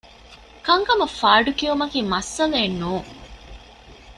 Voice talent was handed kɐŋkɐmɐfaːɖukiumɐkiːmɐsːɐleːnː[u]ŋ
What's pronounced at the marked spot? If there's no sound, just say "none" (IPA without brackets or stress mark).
uː